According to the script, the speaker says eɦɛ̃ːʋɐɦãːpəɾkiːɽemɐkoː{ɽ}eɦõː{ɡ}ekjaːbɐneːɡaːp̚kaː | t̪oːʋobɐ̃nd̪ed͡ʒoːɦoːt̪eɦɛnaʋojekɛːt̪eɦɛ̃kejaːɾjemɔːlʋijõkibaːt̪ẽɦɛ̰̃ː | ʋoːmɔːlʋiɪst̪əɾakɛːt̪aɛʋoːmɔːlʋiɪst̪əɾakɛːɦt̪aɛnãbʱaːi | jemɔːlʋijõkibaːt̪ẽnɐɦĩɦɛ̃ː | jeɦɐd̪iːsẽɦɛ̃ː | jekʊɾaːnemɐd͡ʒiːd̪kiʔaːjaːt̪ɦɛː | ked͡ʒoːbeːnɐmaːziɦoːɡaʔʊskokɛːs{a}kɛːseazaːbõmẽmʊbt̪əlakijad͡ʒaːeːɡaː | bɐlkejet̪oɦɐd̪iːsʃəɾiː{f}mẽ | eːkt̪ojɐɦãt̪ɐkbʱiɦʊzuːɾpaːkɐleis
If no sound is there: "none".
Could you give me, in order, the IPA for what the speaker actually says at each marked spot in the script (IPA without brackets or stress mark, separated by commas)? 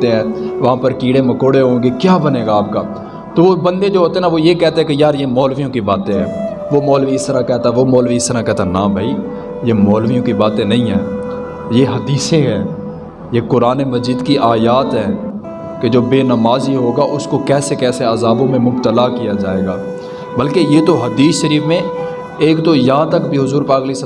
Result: ɽ, ɡ, e, f